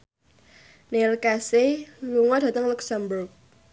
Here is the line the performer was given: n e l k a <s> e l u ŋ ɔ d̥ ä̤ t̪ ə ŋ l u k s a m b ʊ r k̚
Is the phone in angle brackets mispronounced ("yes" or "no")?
no